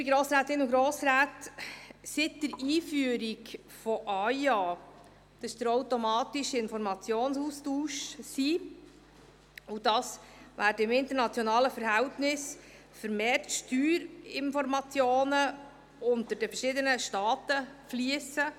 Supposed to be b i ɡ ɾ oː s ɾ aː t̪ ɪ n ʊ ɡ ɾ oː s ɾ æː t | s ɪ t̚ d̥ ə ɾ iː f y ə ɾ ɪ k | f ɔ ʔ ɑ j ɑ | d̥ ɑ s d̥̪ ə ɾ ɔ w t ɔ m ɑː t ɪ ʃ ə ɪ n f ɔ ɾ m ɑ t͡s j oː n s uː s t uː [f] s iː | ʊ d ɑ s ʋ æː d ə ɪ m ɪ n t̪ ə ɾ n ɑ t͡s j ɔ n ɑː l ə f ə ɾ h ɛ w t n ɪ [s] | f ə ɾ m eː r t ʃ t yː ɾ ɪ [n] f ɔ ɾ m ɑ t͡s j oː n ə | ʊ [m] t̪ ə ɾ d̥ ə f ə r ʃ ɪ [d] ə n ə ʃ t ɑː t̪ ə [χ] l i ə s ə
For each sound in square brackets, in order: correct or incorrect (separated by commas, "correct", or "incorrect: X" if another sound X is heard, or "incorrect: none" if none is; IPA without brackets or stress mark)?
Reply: incorrect: ʃ, correct, correct, incorrect: n, correct, incorrect: f